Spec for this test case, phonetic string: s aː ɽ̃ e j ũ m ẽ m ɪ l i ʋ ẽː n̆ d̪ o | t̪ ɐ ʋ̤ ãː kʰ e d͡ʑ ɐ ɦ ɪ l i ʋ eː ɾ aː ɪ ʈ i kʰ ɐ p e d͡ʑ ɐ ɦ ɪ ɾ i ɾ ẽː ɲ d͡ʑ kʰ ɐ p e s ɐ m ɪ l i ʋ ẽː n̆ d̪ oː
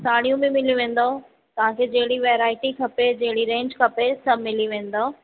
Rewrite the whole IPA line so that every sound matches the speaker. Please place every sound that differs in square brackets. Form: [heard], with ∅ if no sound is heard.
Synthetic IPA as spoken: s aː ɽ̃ [i] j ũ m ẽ m ɪ l i ʋ ẽː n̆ d̪ o | t̪ ɐ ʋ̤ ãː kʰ e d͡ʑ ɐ ɦ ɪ [ɽ] i ʋ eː ɾ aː ɪ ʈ i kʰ ɐ p e d͡ʑ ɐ ɦ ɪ [ɽ] i ɾ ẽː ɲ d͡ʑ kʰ ɐ p e s ɐ m ɪ l i ʋ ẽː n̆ d̪ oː